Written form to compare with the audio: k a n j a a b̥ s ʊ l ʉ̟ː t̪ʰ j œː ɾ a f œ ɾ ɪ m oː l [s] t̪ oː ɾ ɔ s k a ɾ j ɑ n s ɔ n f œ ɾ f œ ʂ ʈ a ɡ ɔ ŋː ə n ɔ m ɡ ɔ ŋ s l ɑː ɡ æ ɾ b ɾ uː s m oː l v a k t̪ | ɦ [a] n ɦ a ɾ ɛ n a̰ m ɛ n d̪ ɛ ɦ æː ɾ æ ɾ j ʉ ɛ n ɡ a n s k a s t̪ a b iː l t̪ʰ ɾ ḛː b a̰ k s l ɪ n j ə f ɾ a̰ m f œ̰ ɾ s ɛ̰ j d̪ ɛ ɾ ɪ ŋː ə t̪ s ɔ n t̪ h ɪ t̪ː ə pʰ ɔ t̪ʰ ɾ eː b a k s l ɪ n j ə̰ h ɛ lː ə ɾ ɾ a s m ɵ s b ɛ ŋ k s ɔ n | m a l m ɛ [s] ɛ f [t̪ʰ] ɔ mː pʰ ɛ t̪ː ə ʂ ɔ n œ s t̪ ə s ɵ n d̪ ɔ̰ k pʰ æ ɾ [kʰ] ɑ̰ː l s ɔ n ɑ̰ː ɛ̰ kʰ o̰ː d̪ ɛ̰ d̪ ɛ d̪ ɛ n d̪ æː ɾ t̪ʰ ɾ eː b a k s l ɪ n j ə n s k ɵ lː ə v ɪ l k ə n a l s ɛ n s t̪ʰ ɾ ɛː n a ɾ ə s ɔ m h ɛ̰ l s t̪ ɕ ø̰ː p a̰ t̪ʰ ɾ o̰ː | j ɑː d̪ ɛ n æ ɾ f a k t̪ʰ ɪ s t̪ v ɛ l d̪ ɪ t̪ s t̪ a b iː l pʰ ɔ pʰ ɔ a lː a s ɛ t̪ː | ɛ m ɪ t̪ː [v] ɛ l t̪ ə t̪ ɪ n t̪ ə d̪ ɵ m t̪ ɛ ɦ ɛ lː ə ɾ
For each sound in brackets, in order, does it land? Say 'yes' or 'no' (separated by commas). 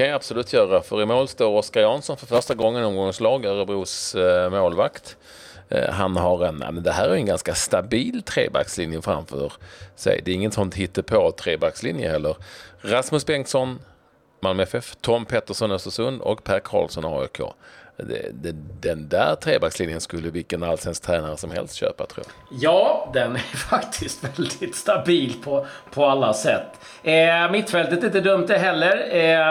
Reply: yes, yes, no, yes, yes, no